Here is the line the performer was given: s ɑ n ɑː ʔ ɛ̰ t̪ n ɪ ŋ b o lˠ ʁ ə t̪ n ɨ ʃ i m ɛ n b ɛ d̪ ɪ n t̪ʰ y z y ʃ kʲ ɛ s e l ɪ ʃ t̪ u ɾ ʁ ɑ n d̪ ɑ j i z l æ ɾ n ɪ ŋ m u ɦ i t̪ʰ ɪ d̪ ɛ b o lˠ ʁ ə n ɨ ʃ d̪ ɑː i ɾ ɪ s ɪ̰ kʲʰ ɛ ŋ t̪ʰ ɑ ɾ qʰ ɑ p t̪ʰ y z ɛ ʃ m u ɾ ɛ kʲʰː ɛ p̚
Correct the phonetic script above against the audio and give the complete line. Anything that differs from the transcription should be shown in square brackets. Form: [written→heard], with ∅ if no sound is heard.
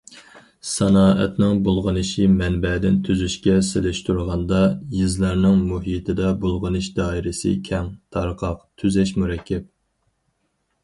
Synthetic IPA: s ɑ n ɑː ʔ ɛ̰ t̪ n ɪ ŋ b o lˠ ʁ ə [t̪→∅] n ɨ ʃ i m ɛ n b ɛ d̪ ɪ n t̪ʰ y z y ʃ kʲ ɛ s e l ɪ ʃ t̪ u ɾ ʁ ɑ n d̪ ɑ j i z l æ ɾ n ɪ ŋ m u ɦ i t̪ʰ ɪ d̪ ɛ b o lˠ ʁ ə n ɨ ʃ d̪ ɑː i ɾ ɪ s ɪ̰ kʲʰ ɛ ŋ t̪ʰ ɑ ɾ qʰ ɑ [p→q] t̪ʰ y z ɛ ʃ m u ɾ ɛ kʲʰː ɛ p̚